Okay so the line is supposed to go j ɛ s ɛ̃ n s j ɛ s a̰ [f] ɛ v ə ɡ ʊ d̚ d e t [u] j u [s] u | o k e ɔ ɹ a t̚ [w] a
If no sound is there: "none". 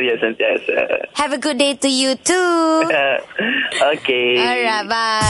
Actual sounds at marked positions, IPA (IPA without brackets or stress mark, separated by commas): h, u, t, b